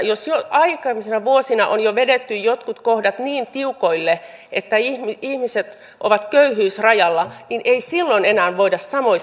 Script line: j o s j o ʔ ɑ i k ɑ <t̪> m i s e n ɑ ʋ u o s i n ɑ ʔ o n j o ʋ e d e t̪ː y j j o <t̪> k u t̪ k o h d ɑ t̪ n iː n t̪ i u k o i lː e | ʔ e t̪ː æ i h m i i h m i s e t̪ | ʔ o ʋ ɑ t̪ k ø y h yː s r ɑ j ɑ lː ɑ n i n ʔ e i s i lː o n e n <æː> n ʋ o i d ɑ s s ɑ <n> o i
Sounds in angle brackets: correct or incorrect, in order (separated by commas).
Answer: incorrect, correct, correct, incorrect